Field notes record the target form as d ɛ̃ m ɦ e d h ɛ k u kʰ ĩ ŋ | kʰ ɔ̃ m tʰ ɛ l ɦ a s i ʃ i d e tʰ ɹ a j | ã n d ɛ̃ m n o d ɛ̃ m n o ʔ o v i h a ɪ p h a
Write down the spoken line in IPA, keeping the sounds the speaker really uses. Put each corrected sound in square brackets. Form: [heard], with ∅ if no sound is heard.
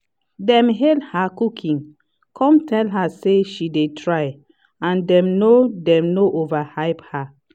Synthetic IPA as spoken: d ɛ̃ m ɦ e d h [a] k u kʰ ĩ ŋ | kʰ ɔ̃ m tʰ ɛ l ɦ a s [e] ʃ i d e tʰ ɹ a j | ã n d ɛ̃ m n o d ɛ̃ m n o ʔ o v [a] h a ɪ p h a